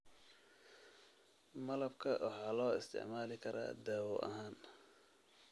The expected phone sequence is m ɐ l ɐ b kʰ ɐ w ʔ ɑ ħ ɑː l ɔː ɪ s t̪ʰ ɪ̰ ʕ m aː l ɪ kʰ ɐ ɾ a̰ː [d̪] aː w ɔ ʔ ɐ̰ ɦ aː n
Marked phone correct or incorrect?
correct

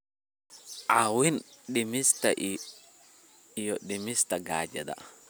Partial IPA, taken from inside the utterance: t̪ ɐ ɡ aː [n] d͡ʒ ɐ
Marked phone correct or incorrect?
incorrect: none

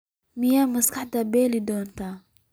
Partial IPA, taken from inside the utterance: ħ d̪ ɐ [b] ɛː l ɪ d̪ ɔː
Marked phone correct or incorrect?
correct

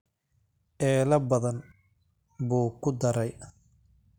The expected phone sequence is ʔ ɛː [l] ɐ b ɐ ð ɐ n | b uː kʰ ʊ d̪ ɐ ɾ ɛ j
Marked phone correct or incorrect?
correct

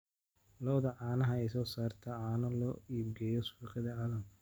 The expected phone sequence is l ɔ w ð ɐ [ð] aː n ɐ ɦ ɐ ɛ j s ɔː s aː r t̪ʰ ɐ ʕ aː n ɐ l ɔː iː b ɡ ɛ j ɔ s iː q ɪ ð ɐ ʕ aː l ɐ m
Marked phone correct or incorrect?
incorrect: ʕ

